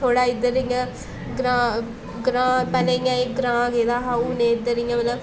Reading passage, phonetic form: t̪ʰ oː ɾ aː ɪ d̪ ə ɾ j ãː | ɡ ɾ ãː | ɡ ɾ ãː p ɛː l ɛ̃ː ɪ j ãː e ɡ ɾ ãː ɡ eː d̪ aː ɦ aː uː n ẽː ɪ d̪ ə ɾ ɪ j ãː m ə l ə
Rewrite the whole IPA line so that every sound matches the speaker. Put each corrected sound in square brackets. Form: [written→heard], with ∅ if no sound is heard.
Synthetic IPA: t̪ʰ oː [ɾ→ɽ] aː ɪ d̪ ə ɾ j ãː | ɡ ɾ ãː | ɡ ɾ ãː p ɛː l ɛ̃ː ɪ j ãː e ɡ ɾ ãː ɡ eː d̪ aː ɦ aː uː n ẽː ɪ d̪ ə ɾ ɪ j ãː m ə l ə